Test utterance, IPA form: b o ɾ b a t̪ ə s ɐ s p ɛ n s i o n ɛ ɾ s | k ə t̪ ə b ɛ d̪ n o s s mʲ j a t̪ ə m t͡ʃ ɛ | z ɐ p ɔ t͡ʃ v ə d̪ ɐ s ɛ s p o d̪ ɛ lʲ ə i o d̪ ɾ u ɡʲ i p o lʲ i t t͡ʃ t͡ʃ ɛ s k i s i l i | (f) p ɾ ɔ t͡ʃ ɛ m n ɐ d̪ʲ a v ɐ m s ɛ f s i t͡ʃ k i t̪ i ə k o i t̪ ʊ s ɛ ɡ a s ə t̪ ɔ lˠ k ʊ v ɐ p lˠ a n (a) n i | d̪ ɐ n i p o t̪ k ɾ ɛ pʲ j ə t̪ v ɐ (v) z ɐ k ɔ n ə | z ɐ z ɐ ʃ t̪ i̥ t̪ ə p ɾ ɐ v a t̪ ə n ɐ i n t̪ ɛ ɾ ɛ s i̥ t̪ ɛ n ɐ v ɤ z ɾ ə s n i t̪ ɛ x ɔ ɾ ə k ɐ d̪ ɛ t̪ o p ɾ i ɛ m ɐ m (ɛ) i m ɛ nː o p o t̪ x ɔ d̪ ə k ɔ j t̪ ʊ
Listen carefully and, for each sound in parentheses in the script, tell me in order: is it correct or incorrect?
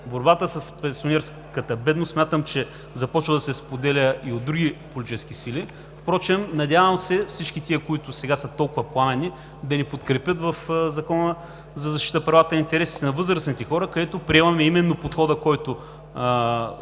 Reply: correct, incorrect, incorrect, correct

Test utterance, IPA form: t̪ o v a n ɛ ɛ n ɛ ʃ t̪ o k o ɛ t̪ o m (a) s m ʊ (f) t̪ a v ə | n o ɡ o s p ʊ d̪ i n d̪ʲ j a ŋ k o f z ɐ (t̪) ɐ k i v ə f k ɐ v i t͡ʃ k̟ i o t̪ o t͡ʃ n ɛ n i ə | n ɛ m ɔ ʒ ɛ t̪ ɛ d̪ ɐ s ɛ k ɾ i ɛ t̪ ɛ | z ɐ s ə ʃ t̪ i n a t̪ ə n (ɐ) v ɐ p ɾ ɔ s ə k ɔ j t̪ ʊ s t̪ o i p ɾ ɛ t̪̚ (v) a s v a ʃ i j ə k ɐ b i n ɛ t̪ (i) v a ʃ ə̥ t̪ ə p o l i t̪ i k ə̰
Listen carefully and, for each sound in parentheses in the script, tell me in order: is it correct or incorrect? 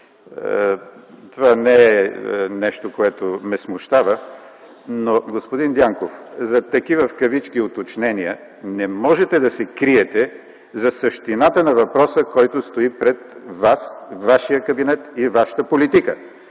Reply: incorrect, incorrect, correct, correct, correct, correct

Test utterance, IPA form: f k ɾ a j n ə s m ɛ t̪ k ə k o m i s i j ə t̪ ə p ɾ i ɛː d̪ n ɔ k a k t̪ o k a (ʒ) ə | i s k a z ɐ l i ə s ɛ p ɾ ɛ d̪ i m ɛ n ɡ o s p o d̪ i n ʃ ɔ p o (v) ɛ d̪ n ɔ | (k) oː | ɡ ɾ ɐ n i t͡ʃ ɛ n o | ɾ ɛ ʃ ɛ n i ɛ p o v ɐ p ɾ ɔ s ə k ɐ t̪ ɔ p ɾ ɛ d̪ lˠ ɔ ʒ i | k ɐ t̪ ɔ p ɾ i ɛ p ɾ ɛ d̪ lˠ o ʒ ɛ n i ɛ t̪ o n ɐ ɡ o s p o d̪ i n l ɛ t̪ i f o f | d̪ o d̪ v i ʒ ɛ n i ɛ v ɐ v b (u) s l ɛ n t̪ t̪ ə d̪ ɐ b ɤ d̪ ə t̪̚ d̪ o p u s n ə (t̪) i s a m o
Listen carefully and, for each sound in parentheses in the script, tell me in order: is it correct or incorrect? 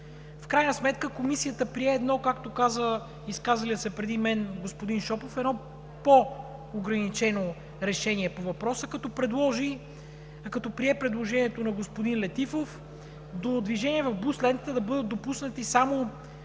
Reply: incorrect, incorrect, incorrect, correct, correct

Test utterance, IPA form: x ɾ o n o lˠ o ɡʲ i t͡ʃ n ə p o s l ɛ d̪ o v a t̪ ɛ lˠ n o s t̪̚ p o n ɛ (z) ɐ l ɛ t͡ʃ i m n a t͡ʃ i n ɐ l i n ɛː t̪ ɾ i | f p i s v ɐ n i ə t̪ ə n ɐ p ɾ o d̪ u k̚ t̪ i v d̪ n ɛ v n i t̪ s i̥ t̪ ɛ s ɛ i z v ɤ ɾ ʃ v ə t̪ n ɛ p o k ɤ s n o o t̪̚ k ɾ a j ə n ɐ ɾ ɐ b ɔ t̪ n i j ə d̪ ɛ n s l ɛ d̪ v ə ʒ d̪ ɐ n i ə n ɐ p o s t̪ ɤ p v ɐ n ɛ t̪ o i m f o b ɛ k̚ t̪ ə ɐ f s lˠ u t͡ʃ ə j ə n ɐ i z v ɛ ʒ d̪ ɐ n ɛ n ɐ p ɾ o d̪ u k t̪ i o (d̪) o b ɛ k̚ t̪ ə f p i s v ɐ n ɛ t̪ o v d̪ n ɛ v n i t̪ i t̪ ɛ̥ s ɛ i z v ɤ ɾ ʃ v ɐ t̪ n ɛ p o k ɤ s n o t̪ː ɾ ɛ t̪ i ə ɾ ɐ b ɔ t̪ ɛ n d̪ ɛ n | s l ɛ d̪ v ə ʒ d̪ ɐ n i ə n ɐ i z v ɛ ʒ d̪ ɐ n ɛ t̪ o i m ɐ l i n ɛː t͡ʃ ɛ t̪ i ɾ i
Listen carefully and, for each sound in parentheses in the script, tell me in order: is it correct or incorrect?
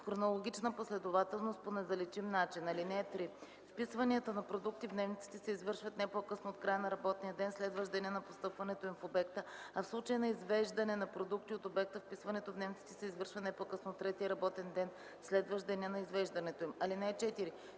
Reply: correct, incorrect

